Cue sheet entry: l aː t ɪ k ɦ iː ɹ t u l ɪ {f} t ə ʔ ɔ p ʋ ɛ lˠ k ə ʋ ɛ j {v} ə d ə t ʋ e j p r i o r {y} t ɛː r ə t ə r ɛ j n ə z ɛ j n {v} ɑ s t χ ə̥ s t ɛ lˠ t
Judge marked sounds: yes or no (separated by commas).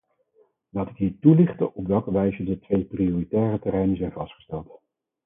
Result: no, no, no, yes